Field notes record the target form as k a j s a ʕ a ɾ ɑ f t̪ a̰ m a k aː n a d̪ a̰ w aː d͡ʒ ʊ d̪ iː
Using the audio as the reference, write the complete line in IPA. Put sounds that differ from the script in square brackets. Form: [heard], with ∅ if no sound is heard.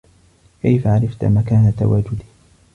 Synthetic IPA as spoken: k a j [f] a ʕ a ɾ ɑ f t̪ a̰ m a k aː n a [t̪] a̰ w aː d͡ʒ ʊ d̪ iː